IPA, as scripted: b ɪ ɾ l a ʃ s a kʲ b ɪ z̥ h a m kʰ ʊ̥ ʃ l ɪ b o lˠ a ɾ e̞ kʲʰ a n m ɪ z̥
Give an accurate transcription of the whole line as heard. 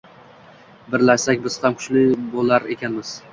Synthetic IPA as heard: b ɪ ɾ l a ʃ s a kʲ b ɪ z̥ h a m kʰ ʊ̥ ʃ l ɪ b o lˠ a ɾ e̞ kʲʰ a n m ɪ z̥